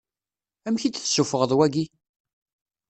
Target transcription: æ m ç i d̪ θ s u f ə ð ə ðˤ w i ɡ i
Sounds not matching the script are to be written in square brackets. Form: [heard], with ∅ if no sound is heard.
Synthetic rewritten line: æ m ç i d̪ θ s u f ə [ʁ] ə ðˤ w [æ] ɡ i